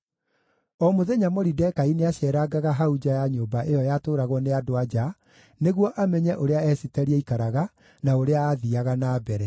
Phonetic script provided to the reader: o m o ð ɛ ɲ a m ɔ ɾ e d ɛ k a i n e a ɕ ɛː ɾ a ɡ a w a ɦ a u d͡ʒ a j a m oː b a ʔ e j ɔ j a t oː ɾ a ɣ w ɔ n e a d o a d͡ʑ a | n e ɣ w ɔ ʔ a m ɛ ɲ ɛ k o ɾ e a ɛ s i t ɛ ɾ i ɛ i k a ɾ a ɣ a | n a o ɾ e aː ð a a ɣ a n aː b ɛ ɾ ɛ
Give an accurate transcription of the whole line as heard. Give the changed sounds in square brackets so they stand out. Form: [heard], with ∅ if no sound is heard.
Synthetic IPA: [ɔ] m o ð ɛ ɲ a m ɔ ɾ [i] d ɛ k a i n e a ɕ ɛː ɾ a ɡ a [ɣ] a ɦ a u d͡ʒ a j a [ɲ] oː b a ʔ e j ɔ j a t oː ɾ a ɣ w ɔ n e a d o a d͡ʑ a | n e ɣ w ɔ ʔ a m ɛ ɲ ɛ [ʔ] o ɾ e a ɛ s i t ɛ ɾ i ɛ i k a ɾ a ɣ a | n a o ɾ e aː ð [i] a ɣ a n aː b ɛ ɾ ɛ